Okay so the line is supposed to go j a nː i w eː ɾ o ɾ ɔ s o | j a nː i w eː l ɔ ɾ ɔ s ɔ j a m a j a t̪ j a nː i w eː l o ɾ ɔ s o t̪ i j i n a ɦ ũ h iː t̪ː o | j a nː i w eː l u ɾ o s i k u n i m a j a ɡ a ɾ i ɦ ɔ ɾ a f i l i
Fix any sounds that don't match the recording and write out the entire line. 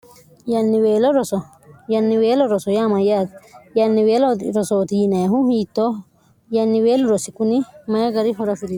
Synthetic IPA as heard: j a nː i w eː l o ɾ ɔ s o | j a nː i w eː l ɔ ɾ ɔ s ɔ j a m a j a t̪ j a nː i w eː l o ɾ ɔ s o t̪ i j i n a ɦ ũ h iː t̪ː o | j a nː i w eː l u ɾ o s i k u n i m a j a ɡ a ɾ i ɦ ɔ ɾ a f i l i